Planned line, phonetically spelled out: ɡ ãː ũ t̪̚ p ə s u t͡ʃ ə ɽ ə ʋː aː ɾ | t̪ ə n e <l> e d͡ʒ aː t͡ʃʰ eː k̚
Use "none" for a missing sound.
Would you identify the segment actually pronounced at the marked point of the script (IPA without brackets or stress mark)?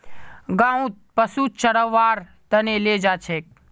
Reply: l